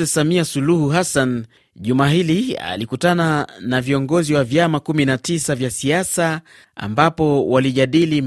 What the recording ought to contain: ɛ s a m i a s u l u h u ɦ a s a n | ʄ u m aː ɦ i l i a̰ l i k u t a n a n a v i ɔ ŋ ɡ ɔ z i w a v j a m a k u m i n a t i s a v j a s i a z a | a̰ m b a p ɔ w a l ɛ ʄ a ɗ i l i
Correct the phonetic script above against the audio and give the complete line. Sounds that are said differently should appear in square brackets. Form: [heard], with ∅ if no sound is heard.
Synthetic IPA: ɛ s a m i a s u l u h u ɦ a s a n | ʄ u m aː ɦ i l i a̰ l i k u t a n a n a v i ɔ ŋ ɡ ɔ z i w a v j a m a k u m i n a t i s a v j a s i a [s] a | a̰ m b a p ɔ w a l [i] ʄ a ɗ i l i